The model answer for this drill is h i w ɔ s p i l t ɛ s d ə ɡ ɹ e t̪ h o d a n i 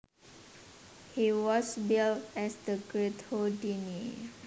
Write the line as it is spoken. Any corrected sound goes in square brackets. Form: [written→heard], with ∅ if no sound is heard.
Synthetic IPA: h i w ɔ s [p→b] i l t ɛ s d ə ɡ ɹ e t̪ h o d [a→i] n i